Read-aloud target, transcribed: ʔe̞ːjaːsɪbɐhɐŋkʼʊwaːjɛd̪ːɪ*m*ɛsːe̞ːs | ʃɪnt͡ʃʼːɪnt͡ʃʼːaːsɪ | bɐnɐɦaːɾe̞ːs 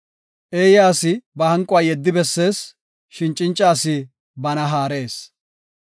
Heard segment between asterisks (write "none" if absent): b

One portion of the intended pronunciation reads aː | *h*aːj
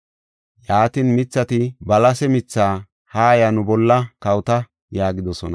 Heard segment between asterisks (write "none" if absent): h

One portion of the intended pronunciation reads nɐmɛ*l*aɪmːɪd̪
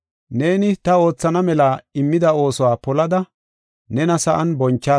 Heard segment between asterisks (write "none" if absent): l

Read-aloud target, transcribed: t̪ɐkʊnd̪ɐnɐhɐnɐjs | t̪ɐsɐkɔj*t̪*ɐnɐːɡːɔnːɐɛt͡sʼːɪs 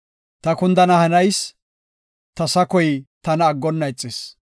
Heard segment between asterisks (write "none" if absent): t̪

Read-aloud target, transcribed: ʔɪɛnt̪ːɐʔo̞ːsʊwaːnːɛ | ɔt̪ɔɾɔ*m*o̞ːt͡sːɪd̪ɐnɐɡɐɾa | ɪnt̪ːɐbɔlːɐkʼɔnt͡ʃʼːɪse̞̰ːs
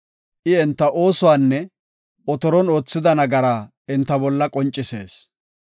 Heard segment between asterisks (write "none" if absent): n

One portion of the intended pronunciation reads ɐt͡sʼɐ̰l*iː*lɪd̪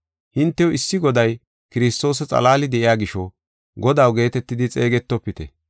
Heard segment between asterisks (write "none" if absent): aː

